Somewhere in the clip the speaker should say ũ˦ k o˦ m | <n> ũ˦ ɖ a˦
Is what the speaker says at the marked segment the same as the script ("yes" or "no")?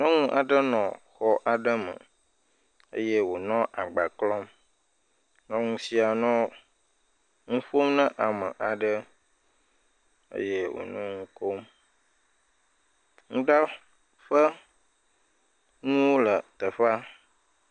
no